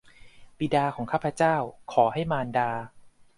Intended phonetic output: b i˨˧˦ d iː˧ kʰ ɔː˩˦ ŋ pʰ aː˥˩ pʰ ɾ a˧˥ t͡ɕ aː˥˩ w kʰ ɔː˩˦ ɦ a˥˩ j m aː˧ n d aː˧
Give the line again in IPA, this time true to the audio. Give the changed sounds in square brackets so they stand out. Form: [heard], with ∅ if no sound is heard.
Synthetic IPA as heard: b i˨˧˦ d [aː˧] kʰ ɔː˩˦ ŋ [kʰ] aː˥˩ pʰ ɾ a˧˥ t͡ɕ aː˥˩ w kʰ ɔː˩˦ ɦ a˥˩ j m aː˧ n d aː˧